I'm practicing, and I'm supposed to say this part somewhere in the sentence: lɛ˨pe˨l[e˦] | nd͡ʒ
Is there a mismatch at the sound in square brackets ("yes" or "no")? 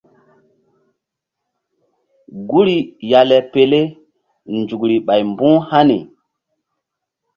no